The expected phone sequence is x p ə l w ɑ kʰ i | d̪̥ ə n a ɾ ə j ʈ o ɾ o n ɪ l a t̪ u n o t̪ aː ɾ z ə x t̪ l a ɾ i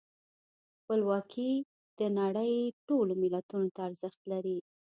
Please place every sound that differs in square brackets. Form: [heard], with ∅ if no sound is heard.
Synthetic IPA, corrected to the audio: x p ə l w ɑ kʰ i | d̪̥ ə n a [ɽ] ə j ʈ o [l] o [m] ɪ l a t̪ u n o t̪ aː ɾ z ə x t̪ l a ɾ i